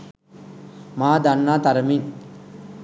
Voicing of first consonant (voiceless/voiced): voiced